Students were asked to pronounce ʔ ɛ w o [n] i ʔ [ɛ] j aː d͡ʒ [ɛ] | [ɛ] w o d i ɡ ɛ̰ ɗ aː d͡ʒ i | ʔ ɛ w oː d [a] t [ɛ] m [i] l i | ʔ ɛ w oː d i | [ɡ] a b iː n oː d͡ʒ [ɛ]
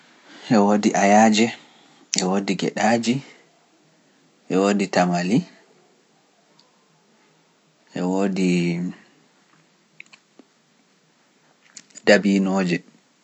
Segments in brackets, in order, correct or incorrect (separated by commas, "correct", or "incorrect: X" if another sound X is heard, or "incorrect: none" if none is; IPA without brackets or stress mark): incorrect: d, incorrect: a, correct, correct, incorrect: i, incorrect: a, incorrect: a, incorrect: d, correct